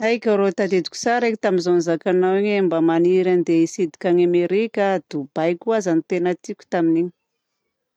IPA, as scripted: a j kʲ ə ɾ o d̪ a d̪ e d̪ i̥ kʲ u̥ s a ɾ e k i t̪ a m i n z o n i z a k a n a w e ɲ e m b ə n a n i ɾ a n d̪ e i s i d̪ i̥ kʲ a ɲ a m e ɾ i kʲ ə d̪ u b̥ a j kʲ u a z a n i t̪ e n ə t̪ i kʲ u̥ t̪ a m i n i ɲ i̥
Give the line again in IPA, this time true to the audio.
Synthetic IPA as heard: a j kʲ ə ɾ o t̪ a d̪ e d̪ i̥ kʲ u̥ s a ɾ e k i t̪ a m i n z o n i z a k a n a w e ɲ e m b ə m a n i ɾ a n d̪ e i s i d̪ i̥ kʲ a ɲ a m e ɾ i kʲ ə d̪ u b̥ a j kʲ u a z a n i t̪ e n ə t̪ i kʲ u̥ t̪ a m i n i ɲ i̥